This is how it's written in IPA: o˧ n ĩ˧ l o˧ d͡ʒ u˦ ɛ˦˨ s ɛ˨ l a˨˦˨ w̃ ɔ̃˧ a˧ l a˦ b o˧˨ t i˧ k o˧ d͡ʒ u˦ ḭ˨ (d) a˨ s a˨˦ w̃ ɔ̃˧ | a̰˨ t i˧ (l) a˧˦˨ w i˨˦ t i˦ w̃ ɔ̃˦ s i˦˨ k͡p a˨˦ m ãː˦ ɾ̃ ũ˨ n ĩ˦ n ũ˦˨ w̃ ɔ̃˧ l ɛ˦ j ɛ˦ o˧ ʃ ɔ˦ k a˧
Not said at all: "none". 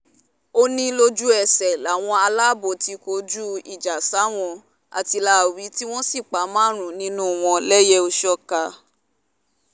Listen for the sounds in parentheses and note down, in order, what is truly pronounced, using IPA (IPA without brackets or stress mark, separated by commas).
d͡ʒ, l